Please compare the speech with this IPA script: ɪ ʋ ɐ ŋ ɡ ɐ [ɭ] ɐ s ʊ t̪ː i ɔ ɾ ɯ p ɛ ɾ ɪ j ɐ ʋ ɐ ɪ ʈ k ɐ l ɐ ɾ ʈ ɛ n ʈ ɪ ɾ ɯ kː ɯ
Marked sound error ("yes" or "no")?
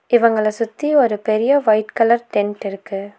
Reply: no